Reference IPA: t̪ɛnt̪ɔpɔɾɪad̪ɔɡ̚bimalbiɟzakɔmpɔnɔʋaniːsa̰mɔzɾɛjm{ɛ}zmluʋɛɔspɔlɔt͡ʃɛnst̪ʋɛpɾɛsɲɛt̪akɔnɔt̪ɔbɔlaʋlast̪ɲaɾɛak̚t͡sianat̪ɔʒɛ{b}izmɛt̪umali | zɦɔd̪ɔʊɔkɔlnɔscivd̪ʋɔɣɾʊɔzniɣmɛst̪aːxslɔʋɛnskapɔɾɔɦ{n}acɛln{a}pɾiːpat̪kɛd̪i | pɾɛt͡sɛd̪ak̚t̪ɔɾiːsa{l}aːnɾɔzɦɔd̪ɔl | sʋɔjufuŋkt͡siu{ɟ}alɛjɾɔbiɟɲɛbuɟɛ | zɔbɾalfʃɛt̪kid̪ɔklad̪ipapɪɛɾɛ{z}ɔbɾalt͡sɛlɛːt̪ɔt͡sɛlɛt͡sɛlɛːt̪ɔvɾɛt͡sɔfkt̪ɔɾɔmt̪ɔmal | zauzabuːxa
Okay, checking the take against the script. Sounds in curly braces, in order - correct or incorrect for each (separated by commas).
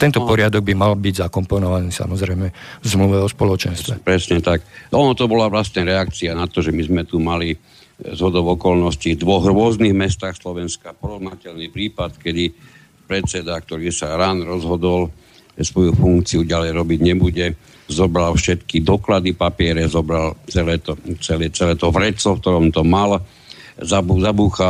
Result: correct, incorrect, correct, incorrect, incorrect, correct, correct